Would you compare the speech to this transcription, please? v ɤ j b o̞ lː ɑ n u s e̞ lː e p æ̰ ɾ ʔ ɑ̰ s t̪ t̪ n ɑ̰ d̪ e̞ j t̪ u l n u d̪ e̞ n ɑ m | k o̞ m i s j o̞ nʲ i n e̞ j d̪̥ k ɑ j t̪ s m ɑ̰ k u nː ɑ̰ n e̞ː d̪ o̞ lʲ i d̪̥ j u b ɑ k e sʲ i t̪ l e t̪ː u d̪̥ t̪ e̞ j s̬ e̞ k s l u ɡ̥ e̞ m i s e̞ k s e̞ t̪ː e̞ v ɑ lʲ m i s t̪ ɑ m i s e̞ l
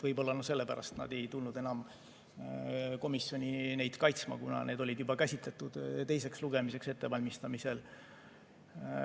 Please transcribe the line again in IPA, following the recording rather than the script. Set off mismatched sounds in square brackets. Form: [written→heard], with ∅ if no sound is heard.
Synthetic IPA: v ɤ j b o̞ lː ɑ n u s e̞ lː e p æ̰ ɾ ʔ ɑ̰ s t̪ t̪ n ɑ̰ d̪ e̞ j t̪ u l n u d̪ e̞ n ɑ m | k o̞ m i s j o̞ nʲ i n e̞ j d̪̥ k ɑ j t̪ s m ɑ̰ k u [nː→n] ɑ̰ n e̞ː d̪ o̞ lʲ i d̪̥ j u b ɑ k [e→æ] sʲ i t̪ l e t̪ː u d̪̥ t̪ e̞ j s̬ e̞ k s l u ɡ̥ e̞ m i s e̞ k s e̞ t̪ː e̞ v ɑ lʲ m i s t̪ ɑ m i s e̞ l

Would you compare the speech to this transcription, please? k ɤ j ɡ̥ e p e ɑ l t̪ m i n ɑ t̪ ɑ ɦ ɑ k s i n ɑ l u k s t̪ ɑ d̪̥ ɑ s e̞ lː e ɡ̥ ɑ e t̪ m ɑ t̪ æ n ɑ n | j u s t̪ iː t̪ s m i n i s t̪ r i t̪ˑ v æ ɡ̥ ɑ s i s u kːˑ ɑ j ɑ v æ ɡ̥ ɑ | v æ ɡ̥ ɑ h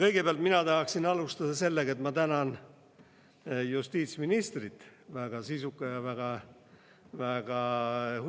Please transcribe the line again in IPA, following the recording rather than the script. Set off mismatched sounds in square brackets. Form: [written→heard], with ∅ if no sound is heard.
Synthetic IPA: k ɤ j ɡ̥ e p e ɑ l t̪ m i n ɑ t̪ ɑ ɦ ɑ k s i n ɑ l u [k→∅] s t̪ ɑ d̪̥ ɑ s e̞ lː e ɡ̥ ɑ e t̪ m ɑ t̪ æ n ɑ n | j u s t̪ iː t̪ s m i n i s t̪ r i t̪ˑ v æ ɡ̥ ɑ s i s u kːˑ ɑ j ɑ v æ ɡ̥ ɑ | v æ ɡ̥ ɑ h

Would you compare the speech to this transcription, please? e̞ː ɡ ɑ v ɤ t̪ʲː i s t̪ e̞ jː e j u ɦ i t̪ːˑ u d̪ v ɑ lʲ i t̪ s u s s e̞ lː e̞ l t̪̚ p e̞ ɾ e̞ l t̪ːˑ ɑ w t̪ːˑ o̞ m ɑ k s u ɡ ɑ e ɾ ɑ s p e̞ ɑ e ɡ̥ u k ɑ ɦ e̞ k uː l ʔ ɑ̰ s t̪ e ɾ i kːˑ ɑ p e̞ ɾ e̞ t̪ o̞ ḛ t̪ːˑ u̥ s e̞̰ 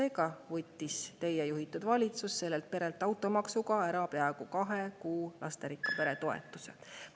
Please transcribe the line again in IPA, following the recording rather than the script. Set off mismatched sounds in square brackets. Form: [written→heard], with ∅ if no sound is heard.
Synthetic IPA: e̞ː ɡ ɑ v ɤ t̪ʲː i s t̪ e̞ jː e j u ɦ i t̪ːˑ u d̪ v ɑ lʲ i t̪ s u s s e̞ lː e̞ l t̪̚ p e̞ ɾ e̞ l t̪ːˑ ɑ w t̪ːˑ o̞ m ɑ k s u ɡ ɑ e ɾ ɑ [s→∅] p e̞ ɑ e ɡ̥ u k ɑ ɦ e̞ k uː l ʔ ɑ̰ s t̪ e ɾ i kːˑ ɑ p e̞ ɾ e̞ t̪ o̞ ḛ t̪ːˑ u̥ s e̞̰

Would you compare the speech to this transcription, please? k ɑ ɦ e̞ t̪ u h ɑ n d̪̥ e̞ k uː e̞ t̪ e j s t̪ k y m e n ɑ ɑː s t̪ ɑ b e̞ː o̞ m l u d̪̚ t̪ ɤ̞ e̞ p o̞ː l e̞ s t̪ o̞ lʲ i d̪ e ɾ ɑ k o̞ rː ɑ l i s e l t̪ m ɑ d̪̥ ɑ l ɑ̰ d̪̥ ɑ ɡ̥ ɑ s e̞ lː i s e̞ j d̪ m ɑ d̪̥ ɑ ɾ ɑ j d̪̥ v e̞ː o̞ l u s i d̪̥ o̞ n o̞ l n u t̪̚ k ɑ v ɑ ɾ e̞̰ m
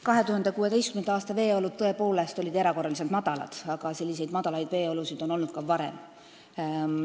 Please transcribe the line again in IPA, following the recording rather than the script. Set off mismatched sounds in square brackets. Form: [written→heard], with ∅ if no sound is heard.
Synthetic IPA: k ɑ ɦ e̞ t̪ u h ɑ n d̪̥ e̞ k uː e̞ t̪ e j s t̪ k y m e n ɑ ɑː s t̪ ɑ [b→v] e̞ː o̞ [m→∅] l u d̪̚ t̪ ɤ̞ e̞ p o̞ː l e̞ s t̪ o̞ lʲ i d̪ e ɾ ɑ k o̞ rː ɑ l i s e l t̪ m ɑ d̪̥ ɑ l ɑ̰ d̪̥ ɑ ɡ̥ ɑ s e̞ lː i s e̞ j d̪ m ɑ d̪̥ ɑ [ɾ→l] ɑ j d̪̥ v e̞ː o̞ l u s i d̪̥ o̞ n o̞ l n u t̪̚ k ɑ v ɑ ɾ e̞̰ m

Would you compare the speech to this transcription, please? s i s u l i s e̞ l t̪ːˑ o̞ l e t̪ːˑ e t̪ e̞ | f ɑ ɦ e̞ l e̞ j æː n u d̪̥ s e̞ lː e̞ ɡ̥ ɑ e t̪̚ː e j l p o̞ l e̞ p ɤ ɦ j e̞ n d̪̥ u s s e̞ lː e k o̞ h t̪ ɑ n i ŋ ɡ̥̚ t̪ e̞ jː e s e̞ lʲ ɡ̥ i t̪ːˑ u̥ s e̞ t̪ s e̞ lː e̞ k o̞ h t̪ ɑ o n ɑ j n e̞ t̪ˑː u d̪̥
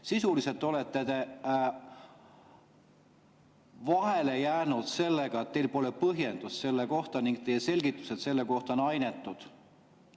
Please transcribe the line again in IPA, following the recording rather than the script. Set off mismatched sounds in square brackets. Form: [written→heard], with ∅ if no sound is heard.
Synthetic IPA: s i s u l i s e̞ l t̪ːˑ o̞ l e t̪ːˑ e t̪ e̞ | [f→v] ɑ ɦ e̞ l e̞ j æː n u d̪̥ s e̞ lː e̞ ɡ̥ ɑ e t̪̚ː e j l p o̞ l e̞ p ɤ ɦ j e̞ n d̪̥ u s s e̞ lː e k o̞ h t̪ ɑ n i ŋ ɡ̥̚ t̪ e̞ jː e s e̞ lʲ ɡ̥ i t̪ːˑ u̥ s e̞ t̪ s e̞ lː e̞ k o̞ h t̪ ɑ o n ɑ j n e̞ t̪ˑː u d̪̥

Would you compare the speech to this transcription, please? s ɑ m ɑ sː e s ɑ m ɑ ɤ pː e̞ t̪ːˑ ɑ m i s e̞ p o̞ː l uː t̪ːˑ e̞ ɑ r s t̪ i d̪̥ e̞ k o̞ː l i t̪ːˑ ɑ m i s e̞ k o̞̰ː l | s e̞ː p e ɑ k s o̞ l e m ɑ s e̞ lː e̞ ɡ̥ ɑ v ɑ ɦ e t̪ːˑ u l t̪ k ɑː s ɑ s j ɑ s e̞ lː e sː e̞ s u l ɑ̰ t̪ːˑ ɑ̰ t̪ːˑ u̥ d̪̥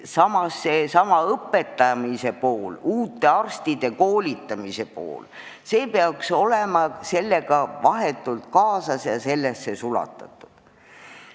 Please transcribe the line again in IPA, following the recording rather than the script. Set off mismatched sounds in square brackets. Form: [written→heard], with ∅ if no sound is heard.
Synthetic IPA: s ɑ m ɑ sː e s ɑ m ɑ ɤ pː e̞ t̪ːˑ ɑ m i s e̞ p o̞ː l uː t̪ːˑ e̞ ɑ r s t̪ i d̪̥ e̞ k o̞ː l i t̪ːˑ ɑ m i s e̞ [k→p] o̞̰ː l | s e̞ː p e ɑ k s o̞ l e m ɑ s e̞ lː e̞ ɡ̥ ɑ v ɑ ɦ e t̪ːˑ u l t̪ k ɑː s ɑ s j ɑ s e̞ lː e sː e̞ s u l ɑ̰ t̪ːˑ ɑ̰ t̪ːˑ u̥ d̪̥

